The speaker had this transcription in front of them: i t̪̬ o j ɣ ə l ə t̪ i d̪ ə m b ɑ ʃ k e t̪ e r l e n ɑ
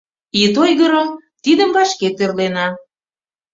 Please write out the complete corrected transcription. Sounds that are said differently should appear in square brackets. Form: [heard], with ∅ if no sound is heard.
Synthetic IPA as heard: i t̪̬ o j ɣ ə [ɾ] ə t̪ i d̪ ə m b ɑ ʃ k e t̪ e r l e n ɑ